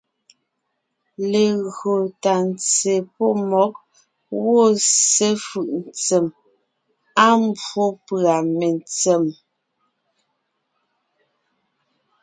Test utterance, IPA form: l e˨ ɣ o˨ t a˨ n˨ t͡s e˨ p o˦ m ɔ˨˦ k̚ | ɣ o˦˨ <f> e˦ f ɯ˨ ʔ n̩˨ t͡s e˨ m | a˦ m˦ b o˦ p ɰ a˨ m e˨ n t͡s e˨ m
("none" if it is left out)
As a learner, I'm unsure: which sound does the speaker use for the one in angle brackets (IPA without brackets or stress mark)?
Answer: s